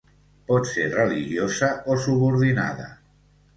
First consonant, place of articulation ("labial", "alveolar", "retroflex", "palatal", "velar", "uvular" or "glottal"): labial